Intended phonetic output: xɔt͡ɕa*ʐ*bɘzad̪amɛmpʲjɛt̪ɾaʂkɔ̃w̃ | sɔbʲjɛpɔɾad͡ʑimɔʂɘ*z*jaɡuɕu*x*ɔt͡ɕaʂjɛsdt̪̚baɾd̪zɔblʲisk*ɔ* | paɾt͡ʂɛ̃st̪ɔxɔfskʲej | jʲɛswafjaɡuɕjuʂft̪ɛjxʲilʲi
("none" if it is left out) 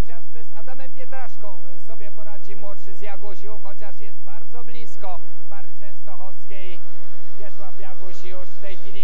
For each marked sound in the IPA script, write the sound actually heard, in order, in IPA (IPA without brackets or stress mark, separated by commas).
ʐ, z, x, ɔ